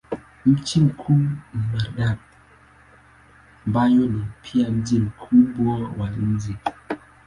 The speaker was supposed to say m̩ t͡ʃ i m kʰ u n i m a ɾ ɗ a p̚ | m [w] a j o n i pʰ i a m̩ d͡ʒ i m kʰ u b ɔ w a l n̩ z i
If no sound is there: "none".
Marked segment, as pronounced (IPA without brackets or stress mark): b